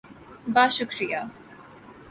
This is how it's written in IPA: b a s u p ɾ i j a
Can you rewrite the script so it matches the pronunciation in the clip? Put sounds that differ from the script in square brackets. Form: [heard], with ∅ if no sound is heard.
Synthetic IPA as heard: b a [ʃ] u [k] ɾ i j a

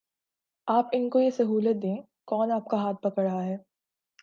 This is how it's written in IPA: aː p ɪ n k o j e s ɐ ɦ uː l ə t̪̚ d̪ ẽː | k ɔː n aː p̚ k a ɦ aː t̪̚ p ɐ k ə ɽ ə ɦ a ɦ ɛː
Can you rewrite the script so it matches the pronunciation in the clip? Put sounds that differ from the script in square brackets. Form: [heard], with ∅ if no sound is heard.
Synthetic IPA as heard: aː p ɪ n k o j e s ɐ ɦ uː l ə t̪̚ d̪ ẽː | k ɔː n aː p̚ k a ɦ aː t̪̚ p ɐ k ə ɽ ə ɦ a ɦ ɛː

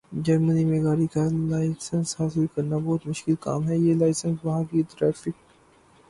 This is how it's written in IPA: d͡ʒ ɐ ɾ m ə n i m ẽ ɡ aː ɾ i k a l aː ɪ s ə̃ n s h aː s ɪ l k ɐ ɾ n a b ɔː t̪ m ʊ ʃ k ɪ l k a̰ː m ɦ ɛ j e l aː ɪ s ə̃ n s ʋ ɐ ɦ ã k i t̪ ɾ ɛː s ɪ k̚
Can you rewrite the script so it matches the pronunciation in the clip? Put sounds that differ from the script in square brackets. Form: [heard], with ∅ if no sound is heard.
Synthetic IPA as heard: d͡ʒ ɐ ɾ m ə n i m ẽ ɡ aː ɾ i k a l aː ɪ s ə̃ n s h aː s ɪ l k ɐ ɾ n a b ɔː t̪ m ʊ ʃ k ɪ l k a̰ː m ɦ ɛ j e l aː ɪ s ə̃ n s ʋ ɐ ɦ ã k i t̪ ɾ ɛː [f] ɪ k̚

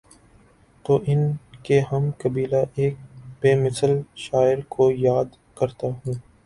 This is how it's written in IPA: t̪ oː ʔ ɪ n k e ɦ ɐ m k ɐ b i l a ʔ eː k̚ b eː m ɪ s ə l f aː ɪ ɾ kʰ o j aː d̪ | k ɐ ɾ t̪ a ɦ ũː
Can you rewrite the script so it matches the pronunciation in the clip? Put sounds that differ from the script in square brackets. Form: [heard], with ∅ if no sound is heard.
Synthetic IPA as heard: t̪ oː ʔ ɪ n k e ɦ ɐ m k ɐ b [iː] l a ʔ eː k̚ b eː m ɪ s ə l [ʃ] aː ɪ ɾ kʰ o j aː d̪ | k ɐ ɾ t̪ a ɦ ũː

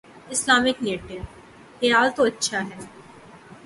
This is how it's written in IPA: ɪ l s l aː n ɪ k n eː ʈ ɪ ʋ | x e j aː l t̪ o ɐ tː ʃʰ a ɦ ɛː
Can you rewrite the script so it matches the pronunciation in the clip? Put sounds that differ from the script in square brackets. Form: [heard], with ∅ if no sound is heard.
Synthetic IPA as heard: ɪ [∅] s l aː [m] ɪ k n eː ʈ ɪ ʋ | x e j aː l t̪ o ɐ tː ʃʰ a ɦ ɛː

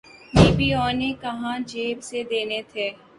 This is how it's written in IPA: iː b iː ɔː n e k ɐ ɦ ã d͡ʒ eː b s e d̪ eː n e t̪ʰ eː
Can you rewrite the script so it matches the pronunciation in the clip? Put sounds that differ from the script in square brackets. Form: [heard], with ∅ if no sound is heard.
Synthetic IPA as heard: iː b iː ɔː n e k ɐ ɦ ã d͡ʒ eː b s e d̪ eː n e t̪ʰ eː

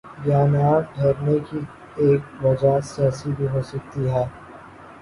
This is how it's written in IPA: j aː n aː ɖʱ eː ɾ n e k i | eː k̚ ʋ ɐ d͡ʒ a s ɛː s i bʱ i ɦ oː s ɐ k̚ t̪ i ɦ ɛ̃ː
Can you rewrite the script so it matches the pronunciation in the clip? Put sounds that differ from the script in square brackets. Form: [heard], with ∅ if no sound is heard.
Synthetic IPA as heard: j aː n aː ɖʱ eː ɾ n e k i | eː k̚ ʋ ɐ d͡ʒ a s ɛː s i bʱ i ɦ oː s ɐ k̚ t̪ i ɦ [ɛː]

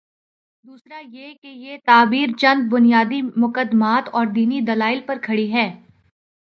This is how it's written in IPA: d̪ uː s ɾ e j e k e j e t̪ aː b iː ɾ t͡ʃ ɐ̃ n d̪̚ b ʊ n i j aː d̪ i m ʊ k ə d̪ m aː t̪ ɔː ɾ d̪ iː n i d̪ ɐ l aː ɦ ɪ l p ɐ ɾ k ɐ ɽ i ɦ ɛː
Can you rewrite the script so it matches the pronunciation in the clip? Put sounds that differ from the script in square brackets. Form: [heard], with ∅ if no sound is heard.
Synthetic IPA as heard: d̪ uː s ɾ [a] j e k e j e t̪ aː b iː ɾ t͡ʃ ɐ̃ n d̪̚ b ʊ n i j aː d̪ i m ʊ k ə d̪ m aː t̪ ɔː ɾ d̪ iː n i d̪ ɐ l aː [∅] ɪ l p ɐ ɾ [kʰ] ɐ ɽ i ɦ ɛː

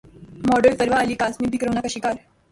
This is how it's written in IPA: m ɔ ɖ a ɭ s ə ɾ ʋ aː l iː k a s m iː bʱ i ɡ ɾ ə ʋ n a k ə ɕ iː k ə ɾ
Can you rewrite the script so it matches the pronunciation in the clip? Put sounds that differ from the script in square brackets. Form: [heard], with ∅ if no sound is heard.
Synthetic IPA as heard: m ɔ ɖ [ə] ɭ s ə ɾ ʋ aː l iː k a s m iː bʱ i [k] ɾ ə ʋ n a k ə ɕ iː k [a] ɾ

